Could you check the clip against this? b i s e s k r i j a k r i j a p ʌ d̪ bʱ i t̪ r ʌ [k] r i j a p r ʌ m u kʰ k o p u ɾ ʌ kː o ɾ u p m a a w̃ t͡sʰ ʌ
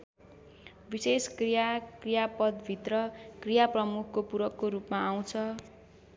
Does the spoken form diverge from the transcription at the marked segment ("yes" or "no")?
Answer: no